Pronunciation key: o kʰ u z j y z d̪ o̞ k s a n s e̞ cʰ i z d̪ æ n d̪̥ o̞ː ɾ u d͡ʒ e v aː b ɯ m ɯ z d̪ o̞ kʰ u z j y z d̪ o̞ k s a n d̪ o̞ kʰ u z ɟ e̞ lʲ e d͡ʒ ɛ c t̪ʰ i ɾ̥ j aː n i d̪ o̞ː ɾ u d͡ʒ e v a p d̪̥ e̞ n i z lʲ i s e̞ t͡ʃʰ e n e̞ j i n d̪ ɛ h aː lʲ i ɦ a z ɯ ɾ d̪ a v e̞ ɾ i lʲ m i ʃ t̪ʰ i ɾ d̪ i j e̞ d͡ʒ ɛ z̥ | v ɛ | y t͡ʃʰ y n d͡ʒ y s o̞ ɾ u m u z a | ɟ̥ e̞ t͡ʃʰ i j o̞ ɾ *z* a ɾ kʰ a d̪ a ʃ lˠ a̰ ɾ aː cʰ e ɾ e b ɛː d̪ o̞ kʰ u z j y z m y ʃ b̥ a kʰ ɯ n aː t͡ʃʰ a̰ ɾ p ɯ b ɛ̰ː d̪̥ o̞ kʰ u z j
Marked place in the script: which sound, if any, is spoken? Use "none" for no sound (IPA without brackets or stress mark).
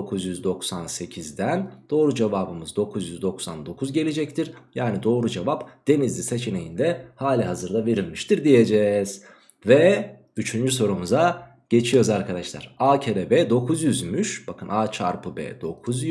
z